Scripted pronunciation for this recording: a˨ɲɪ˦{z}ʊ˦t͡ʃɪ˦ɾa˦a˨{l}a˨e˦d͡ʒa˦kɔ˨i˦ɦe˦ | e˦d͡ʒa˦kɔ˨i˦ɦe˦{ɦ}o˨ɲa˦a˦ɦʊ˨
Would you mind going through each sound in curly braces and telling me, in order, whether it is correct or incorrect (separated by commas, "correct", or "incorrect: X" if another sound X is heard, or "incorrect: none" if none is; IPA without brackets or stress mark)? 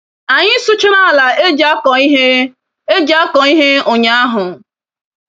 incorrect: s, correct, incorrect: none